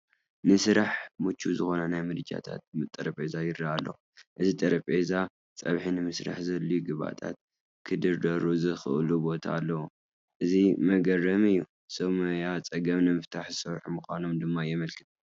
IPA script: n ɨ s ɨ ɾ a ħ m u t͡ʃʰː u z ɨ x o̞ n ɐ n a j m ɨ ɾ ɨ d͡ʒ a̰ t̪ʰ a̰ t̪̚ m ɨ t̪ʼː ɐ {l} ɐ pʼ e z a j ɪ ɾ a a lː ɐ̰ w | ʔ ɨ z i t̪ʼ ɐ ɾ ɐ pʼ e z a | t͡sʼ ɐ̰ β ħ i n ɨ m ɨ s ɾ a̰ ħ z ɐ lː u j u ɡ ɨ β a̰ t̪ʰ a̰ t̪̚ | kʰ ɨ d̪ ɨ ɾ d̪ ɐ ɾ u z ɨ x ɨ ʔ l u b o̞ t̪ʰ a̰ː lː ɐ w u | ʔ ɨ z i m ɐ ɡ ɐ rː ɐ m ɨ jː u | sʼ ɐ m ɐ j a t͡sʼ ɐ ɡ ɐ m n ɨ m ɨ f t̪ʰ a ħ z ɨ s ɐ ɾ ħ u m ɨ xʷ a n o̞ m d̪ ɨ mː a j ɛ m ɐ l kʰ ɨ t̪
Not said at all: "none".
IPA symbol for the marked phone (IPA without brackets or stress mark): ɾ